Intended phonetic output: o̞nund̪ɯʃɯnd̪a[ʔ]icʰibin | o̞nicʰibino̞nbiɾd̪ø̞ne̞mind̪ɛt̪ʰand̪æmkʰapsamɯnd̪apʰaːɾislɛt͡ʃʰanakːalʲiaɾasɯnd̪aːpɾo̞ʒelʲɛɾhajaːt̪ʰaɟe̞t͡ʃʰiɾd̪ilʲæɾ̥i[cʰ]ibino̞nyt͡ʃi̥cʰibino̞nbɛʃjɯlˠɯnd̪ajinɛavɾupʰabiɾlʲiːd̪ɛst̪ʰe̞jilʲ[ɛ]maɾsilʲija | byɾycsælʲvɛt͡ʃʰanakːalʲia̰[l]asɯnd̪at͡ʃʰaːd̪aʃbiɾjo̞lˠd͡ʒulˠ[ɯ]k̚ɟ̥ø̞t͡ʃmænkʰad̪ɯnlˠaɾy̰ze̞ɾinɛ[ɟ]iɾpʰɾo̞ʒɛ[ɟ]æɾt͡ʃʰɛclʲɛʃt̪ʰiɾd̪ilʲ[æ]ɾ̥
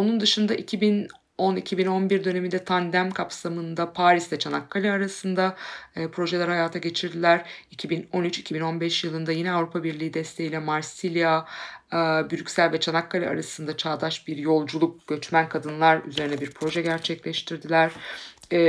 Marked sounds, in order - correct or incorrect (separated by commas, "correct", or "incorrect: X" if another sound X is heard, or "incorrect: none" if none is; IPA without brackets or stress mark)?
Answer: correct, correct, correct, incorrect: ɾ, incorrect: u, incorrect: b, correct, correct